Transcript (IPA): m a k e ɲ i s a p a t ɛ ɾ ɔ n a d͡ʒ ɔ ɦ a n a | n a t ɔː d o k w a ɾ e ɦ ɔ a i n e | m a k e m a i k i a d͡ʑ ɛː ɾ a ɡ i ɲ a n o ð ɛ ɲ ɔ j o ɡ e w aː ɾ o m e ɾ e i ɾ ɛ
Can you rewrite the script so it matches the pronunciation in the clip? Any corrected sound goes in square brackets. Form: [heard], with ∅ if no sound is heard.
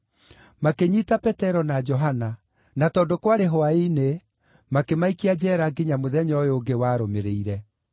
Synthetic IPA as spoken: m a k e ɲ i [t] a p [ɛ] t ɛ ɾ ɔ n a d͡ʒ ɔ ɦ a n a | n a t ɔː d o k w a ɾ e ɦ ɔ a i n e | m a k e m a i k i a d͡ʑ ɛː ɾ a ɡ i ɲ a [m] o ð ɛ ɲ ɔ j o ɡ e w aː ɾ o m e ɾ e i ɾ ɛ